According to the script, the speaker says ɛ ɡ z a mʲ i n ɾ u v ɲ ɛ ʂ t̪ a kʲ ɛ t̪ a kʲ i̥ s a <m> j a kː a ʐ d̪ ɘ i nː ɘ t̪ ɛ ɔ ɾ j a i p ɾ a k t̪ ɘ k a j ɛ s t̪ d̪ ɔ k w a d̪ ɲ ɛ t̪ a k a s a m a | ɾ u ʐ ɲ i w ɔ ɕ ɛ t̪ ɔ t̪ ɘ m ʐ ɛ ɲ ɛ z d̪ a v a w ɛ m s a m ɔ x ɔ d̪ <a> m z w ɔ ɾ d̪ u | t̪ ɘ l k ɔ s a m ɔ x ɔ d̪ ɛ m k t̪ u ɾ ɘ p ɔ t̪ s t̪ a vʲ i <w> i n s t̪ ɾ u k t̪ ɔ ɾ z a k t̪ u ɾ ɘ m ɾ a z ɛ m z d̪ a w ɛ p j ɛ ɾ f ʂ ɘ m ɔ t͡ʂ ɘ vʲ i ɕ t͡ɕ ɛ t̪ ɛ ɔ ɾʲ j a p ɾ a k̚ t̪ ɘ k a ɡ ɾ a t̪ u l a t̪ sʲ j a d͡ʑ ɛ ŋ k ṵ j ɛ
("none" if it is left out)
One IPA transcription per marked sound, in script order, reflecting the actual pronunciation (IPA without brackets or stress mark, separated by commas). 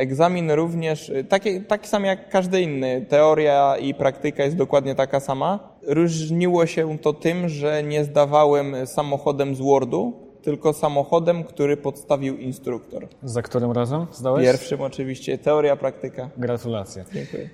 m, ɛ, w